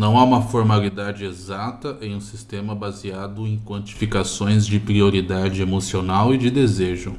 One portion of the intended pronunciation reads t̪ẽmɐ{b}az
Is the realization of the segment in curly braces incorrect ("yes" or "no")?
no